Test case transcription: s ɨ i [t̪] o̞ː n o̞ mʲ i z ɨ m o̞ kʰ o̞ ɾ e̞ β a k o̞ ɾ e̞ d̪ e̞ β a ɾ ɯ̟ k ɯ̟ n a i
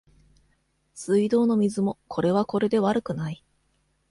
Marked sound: incorrect: d̪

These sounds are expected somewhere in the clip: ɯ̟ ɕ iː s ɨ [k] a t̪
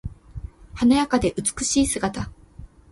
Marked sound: incorrect: ɡ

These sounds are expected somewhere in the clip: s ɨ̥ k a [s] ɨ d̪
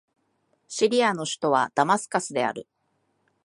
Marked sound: correct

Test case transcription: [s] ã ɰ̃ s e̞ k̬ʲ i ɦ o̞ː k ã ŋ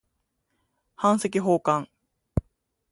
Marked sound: incorrect: h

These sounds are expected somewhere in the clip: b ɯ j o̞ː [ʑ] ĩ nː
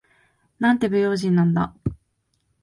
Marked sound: correct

